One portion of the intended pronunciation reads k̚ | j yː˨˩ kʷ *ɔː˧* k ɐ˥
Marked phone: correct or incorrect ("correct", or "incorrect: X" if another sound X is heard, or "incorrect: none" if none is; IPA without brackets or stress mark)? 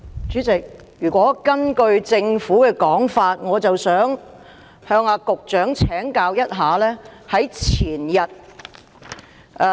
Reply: incorrect: ɔː˨˥